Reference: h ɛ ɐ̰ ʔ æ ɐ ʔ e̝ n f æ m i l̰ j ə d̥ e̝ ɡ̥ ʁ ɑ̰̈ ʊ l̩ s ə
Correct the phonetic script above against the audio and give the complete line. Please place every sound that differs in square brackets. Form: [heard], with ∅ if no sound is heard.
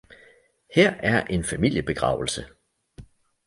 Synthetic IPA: h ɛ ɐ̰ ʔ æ ɐ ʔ e̝ n f æ m i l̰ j ə [b̥] e̝ ɡ̥ ʁ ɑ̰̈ ʊ l̩ s ə